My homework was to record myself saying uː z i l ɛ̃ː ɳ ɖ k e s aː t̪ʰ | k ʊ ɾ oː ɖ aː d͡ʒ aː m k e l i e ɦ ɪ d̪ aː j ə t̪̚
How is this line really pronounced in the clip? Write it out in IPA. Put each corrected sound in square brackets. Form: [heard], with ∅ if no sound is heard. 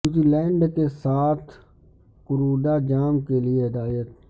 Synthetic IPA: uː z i l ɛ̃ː ɳ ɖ k e s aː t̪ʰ | k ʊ ɾ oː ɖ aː d͡ʒ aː m k e l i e ɦ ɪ d̪ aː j ə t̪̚